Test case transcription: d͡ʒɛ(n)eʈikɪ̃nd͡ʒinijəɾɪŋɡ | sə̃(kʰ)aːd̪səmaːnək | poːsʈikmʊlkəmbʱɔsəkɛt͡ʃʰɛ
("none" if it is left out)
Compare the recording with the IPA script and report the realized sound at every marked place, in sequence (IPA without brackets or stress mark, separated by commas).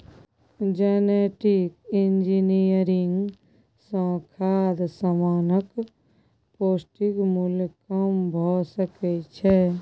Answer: n, kʰ